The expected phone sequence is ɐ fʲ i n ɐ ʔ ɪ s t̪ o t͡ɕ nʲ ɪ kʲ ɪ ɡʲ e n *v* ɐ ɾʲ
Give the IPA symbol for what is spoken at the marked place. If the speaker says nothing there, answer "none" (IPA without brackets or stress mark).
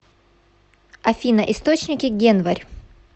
v